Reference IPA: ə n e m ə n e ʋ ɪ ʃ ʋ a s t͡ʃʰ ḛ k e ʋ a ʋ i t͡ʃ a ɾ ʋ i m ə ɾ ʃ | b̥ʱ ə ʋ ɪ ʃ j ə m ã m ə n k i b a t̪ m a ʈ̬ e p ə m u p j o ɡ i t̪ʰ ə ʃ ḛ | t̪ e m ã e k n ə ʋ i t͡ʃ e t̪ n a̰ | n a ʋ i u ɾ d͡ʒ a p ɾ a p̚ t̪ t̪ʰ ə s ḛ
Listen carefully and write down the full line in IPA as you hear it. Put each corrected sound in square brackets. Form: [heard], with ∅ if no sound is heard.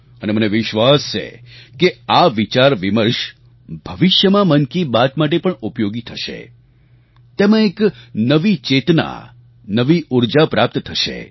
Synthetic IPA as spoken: ə n e m ə n e ʋ ɪ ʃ ʋ a s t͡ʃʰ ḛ k e [∅] a ʋ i t͡ʃ a ɾ ʋ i m ə ɾ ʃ | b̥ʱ ə ʋ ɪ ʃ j ə m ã m ə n k i b a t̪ m a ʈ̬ e p ə [ɳ] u p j o ɡ i t̪ʰ ə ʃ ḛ | t̪ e m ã e k n ə ʋ i t͡ʃ e t̪ n a̰ | n [ə] ʋ i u ɾ d͡ʒ a p ɾ a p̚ t̪ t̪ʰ ə [ʃ] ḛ